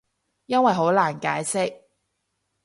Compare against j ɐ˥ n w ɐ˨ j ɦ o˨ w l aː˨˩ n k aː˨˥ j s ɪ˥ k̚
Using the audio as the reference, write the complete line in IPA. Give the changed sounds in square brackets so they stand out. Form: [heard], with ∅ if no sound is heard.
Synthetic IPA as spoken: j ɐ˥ n w ɐ˨ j ɦ [o˨˥] w l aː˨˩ n k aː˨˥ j s ɪ˥ k̚